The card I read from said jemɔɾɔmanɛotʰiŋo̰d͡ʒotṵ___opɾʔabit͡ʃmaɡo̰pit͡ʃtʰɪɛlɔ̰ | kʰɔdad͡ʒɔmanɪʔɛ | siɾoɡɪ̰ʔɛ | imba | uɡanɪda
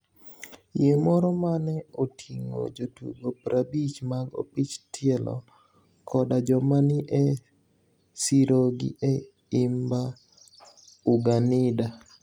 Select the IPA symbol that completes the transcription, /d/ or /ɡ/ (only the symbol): ɡ